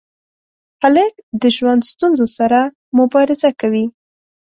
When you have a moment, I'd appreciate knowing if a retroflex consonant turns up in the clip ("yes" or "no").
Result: no